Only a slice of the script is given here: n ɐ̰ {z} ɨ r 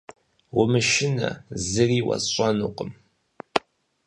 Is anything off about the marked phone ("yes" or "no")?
no